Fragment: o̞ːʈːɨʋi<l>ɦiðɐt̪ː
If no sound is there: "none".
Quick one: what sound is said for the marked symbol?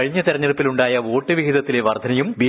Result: none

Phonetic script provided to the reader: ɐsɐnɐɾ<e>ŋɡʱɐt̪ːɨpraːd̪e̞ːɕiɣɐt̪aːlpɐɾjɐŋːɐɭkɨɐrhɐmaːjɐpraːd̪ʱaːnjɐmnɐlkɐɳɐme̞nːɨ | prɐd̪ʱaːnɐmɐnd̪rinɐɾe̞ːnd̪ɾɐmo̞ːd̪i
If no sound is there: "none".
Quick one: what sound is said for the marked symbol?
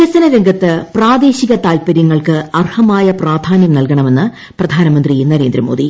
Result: e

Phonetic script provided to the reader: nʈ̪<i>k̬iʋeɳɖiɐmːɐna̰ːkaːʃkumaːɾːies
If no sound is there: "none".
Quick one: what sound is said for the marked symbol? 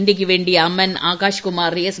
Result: i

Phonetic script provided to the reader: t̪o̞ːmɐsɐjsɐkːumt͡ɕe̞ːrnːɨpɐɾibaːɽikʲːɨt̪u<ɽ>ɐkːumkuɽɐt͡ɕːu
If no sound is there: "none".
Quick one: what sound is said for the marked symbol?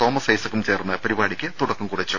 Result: ɽ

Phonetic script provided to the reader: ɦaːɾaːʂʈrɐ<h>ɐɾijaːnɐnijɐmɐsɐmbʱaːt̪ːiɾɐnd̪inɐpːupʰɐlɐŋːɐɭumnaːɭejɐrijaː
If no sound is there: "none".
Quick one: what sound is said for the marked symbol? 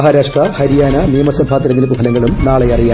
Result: h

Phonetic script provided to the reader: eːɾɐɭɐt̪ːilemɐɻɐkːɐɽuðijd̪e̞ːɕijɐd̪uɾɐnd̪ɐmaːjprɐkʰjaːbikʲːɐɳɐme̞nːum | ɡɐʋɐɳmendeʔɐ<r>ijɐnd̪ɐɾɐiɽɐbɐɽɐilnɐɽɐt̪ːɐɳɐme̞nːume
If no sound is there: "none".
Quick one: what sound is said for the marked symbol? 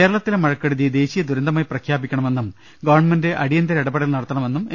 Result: ɽ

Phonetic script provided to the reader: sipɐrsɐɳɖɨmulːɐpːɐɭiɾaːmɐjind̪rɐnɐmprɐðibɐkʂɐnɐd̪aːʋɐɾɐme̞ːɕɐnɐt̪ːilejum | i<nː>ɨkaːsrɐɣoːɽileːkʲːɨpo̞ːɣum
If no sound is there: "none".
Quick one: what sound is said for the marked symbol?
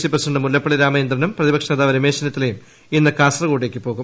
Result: nː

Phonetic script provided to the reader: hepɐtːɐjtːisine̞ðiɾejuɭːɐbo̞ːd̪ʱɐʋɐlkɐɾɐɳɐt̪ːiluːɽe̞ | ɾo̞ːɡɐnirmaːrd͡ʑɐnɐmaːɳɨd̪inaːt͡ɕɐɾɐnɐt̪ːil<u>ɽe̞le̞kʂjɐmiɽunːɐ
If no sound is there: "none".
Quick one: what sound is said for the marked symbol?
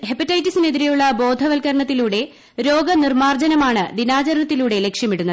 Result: uː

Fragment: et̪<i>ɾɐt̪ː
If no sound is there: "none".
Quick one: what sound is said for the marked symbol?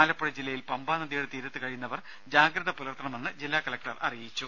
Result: iː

